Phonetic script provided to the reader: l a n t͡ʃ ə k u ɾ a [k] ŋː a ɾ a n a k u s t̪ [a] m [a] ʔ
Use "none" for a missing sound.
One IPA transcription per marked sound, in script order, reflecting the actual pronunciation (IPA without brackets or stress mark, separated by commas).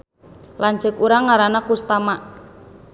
none, a, a